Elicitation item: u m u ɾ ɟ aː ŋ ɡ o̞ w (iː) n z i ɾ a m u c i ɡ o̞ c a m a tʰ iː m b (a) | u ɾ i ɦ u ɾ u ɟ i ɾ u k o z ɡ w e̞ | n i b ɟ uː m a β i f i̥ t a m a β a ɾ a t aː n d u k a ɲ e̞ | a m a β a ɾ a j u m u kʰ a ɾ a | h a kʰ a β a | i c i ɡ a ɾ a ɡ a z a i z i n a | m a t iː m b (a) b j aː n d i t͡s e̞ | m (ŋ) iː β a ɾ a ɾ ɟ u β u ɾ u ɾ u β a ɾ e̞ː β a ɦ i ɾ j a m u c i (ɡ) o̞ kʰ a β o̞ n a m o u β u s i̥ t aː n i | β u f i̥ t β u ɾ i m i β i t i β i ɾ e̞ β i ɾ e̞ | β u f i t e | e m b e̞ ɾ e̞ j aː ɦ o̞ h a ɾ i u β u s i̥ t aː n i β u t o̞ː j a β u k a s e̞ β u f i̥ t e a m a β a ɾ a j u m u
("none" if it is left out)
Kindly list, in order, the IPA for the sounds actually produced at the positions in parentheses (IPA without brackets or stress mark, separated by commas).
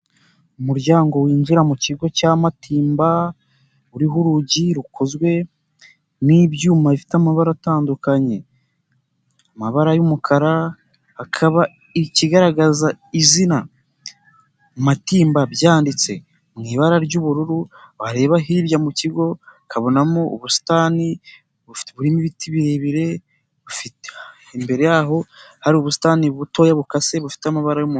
iː, a, a, ŋ, ɡ